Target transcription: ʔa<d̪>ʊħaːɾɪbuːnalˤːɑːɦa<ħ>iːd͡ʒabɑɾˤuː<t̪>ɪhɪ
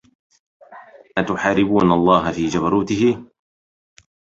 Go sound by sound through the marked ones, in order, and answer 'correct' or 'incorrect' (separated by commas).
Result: incorrect, incorrect, correct